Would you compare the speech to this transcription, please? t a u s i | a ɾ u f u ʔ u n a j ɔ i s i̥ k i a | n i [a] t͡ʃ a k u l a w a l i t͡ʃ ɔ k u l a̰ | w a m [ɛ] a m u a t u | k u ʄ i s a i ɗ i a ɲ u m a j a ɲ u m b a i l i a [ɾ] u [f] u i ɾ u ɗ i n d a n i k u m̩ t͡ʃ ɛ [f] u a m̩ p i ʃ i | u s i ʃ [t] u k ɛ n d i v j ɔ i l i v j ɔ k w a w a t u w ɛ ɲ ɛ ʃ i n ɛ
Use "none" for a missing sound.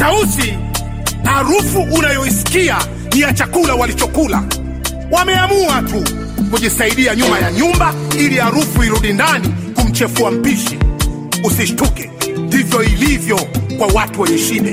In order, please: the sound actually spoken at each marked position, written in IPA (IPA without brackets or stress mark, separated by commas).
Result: a, ɛ, ɾ, f, f, t